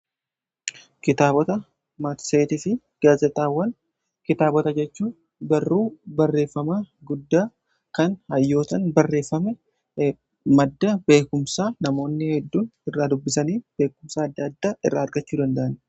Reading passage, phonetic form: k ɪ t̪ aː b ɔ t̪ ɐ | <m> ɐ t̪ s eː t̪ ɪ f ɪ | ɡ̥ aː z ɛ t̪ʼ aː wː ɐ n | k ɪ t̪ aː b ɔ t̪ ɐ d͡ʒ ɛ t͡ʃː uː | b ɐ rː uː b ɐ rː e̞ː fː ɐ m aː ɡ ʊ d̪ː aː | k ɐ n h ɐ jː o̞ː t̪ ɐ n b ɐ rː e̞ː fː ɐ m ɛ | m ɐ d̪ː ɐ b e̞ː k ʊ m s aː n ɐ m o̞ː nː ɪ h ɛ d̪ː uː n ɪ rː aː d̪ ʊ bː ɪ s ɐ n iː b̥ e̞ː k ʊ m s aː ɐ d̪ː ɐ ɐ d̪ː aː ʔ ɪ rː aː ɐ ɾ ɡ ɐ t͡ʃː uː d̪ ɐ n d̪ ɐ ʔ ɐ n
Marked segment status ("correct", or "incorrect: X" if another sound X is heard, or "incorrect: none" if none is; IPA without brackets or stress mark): correct